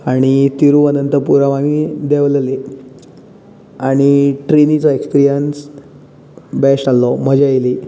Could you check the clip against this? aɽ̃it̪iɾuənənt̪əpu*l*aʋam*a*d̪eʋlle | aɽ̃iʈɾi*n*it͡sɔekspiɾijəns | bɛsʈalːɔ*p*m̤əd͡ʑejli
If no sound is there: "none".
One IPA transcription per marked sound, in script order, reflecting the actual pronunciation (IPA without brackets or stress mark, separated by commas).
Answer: ɾ, i, n, none